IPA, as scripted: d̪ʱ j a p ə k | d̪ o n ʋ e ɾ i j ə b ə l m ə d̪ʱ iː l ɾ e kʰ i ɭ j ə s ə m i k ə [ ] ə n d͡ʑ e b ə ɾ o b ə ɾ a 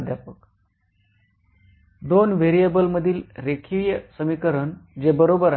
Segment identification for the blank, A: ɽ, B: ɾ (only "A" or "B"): B